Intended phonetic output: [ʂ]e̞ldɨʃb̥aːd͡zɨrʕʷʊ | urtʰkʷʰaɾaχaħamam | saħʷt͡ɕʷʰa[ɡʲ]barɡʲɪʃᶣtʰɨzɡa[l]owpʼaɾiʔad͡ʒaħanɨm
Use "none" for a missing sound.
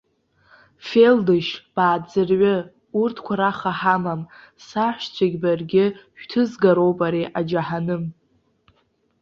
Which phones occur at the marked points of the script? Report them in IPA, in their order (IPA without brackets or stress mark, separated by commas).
f, ɡʲ, ɾ